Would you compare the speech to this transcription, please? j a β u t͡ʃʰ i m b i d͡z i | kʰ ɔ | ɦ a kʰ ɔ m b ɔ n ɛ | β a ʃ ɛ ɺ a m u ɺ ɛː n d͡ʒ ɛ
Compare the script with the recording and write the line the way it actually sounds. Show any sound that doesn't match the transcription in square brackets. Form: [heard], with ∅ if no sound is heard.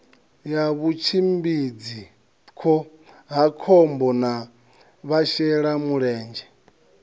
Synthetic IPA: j a β u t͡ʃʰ i m b i d͡z i | kʰ ɔ | ɦ a kʰ ɔ m b ɔ n [a] | β a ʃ ɛ ɺ a m u ɺ ɛː n d͡ʒ ɛ